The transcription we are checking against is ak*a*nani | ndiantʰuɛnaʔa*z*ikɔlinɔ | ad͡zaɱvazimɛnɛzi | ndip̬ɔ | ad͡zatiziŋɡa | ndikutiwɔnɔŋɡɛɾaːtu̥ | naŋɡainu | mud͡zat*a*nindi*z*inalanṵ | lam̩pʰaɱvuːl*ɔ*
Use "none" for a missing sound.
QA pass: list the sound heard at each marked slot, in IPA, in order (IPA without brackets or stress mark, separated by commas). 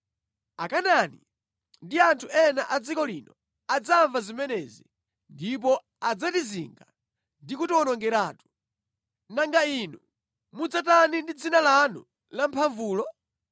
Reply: a, d͡z, a, d͡z, ɔ